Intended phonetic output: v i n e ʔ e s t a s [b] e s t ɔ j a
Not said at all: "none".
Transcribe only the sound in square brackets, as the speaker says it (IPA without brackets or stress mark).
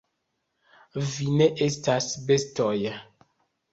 b